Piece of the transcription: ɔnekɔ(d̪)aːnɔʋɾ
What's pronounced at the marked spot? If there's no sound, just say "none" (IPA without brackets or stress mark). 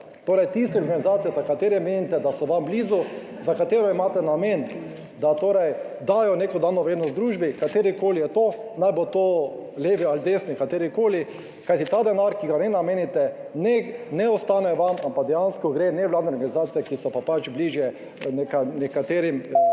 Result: d̪